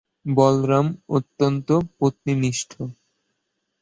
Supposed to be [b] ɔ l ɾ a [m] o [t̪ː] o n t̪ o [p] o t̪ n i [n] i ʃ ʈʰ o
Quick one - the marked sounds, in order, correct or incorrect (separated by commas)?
correct, correct, correct, correct, correct